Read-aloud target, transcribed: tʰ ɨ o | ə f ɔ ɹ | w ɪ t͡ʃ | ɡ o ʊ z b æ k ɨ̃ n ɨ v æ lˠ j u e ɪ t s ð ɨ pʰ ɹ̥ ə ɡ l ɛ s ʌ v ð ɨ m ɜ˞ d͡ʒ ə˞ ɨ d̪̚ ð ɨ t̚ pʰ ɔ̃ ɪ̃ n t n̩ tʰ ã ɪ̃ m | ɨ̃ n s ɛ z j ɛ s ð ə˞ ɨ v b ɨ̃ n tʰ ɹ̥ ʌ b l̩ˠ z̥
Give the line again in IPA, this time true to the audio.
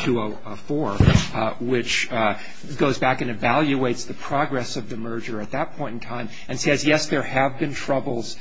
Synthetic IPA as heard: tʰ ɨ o | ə f ɔ ɹ | w ɪ t͡ʃ | ɡ o ʊ z b æ k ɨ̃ n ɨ v æ lˠ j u e ɪ t s ð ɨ pʰ ɹ̥ ɑ ɡ ɹ ɛ s ʌ v ð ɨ m ɜ˞ d͡ʒ ə˞ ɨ t̪̚ ð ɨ t̚ pʰ ɔ̃ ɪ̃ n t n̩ tʰ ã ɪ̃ m | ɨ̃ n s ɛ z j ɛ s ð ə˞ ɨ v b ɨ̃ n tʰ ɹ̥ ʌ b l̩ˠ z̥

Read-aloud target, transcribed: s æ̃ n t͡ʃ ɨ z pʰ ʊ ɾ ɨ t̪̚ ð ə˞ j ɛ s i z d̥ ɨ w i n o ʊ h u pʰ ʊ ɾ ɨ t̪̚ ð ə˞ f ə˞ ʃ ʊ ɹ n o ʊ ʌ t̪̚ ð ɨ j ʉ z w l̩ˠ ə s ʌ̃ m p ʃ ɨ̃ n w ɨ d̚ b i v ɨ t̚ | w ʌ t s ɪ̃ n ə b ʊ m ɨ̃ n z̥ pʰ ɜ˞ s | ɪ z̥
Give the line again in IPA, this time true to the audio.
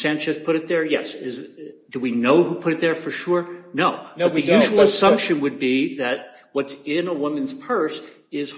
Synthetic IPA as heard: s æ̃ n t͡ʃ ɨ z pʰ ʊ ɾ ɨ t̪̚ ð ə˞ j ɛ s ɪ z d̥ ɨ w i n o ʊ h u pʰ ʊ ɾ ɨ t̪̚ ð ə˞ f ə˞ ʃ ʊ ɹ n o ʊ ʌ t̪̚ ð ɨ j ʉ ʒ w l̩ˠ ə s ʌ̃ m p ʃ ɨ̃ n w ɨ d̚ b i ð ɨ t̚ | w ʌ t s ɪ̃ n ə w ʊ m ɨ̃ n z̥ pʰ ɜ˞ s | ɪ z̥

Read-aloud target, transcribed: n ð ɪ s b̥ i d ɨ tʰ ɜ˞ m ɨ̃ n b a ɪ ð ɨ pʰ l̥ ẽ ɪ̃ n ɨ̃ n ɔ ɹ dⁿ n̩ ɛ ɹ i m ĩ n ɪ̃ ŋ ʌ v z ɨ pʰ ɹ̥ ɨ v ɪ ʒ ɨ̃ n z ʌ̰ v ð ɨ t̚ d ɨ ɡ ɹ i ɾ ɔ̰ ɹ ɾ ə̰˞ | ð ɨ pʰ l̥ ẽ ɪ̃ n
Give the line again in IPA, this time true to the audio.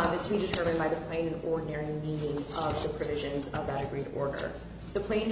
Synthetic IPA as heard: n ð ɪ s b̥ i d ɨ tʰ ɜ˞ m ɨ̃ n b a ɪ ð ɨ pʰ l̥ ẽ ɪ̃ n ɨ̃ n ɔ ɹ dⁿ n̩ ɛ ɹ i m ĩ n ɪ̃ ŋ ʌ v ð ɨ pʰ ɹ̥ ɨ v ɪ ʒ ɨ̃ n z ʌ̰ v ð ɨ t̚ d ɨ ɡ ɹ i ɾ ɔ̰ ɹ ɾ ə̰˞ | ð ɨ pʰ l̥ ẽ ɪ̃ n

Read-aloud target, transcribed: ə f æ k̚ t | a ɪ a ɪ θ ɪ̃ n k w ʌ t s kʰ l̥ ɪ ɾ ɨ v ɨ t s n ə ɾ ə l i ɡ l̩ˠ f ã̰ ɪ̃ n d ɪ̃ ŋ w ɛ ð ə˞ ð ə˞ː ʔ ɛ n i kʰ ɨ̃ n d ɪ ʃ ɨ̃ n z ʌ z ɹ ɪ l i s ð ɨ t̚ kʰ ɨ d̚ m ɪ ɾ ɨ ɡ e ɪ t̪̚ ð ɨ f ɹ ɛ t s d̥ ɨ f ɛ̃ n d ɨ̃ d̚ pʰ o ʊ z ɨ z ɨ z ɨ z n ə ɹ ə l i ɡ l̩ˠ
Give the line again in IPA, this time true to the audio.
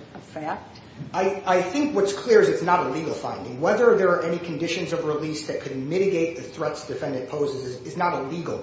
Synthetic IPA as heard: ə f æ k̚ t | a ɪ a ɪ θ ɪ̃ ŋ k w ʌ t s kʰ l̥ ɪ ɹ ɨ z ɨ t s n ə ɾ ə l i ɡ l̩ˠ f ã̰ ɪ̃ n d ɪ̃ ŋ w ɛ ð ə˞ ð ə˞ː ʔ ɛ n i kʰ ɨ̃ n d ɪ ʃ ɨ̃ n z ʌ v ɹ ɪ l i s ð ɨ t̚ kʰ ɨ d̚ m ɪ ɾ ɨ ɡ e ɪ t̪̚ ð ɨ θ ɹ ɛ t s d̥ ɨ f ɛ̃ n d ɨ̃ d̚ pʰ o ʊ z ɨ z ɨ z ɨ z n ə ɾ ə l i ɡ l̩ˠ

